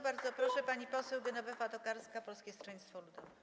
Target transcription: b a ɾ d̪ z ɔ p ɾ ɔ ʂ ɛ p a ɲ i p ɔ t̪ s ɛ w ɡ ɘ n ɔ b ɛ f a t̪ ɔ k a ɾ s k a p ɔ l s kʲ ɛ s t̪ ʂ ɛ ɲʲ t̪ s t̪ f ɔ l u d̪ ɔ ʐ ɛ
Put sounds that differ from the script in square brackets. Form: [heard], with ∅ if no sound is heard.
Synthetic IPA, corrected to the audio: b a ɾ d̪ z ɔ p ɾ ɔ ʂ ɛ p a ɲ i p ɔ [∅] s ɛ w ɡ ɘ n ɔ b ɛ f a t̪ ɔ k a ɾ s k a p ɔ l s kʲ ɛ s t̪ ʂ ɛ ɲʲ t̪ s t̪ f ɔ l u d̪ ɔ [v] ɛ